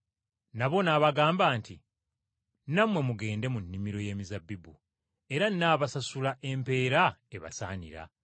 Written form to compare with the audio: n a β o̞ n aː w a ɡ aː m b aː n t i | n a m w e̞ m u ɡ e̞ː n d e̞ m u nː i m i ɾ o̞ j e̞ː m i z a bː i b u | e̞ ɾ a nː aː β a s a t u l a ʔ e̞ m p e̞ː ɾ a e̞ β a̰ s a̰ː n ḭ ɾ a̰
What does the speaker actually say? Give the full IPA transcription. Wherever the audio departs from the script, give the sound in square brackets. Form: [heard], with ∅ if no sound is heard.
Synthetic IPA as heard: n a β o̞ n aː [β] a ɡ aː m b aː n t i | n a m w e̞ m u ɡ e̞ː n d e̞ m u nː i m i ɾ o̞ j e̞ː m i z a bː i b u | e̞ ɾ a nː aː β a s a [s] u l a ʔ e̞ m p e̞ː ɾ a e̞ β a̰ s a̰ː n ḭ ɾ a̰